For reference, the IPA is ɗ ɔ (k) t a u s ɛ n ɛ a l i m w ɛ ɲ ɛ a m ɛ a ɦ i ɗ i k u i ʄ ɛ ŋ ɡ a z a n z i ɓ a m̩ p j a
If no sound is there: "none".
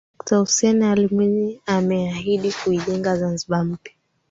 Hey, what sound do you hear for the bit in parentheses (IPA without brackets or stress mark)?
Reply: k